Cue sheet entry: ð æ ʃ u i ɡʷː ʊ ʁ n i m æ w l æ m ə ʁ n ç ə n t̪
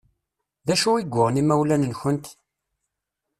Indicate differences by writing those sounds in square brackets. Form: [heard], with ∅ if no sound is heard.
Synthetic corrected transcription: ð æ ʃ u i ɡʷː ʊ ʁ n i m æ w l æ [n] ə [∅] n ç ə n t̪